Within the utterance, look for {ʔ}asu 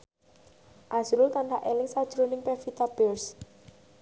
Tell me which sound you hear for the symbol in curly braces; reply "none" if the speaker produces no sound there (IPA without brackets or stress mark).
ʔ